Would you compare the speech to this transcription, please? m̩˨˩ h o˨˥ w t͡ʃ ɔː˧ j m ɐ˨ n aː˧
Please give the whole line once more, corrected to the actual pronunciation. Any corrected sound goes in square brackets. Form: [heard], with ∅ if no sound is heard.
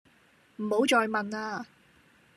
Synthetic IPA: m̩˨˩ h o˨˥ w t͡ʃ ɔː˧ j m ɐ˨ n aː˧